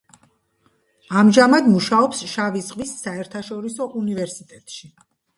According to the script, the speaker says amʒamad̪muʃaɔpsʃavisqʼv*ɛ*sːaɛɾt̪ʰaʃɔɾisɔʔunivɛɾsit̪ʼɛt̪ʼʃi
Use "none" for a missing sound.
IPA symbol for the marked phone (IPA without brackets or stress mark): i